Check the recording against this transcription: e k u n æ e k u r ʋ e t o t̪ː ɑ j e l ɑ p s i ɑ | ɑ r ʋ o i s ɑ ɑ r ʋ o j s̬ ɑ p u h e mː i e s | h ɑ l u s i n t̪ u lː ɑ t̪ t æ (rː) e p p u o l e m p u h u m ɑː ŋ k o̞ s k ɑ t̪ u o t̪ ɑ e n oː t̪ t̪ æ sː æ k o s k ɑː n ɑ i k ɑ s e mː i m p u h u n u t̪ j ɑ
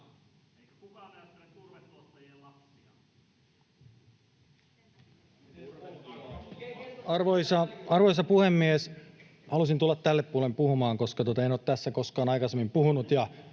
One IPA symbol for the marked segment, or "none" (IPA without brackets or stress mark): lː